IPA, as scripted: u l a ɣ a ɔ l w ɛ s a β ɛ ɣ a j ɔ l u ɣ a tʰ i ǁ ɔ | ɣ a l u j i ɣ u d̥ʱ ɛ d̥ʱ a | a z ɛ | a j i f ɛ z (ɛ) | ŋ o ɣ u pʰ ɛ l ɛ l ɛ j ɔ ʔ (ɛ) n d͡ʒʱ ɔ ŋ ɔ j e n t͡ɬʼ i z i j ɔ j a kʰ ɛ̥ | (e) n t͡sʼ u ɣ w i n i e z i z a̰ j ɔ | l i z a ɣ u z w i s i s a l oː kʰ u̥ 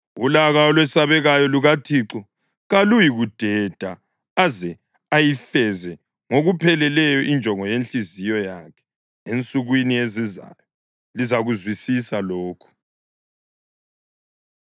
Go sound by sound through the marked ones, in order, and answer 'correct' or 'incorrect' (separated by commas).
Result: correct, incorrect, correct